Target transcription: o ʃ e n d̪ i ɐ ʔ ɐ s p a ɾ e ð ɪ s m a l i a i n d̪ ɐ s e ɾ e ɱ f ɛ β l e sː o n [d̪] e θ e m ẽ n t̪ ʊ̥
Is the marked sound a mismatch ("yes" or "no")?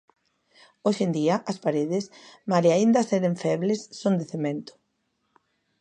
no